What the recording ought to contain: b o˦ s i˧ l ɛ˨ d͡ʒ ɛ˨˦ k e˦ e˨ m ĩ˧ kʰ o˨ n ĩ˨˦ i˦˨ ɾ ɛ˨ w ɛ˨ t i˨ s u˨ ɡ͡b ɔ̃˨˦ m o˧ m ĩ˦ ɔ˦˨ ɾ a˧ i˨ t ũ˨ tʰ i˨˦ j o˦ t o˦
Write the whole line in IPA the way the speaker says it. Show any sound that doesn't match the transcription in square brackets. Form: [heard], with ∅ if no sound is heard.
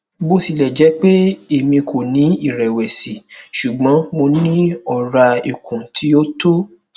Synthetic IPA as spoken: b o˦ s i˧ l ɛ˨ d͡ʒ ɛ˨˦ [k͡p] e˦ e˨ m ĩ˧ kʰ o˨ n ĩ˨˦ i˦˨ ɾ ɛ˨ w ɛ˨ [s] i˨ [ʃ] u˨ ɡ͡b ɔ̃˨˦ m o˧ [n] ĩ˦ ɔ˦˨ ɾ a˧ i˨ [k] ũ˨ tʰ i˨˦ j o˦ t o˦